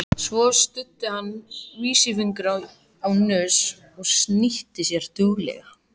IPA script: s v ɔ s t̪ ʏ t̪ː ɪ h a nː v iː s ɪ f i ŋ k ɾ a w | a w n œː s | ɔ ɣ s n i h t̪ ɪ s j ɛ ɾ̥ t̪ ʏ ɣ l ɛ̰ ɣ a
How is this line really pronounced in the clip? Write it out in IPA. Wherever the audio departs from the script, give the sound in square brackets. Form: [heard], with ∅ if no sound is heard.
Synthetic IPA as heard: s v ɔ s t̪ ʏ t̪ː ɪ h a nː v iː s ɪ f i ŋ k ɾ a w | a w n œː s | ɔ ɣ s n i h t̪ ɪ s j ɛ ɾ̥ t̪ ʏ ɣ l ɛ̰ ɣ a